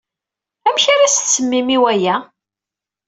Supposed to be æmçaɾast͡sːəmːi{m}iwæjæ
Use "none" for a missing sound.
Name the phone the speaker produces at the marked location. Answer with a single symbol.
m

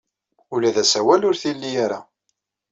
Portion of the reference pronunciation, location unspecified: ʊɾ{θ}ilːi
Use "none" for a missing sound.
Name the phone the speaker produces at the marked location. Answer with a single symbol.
θ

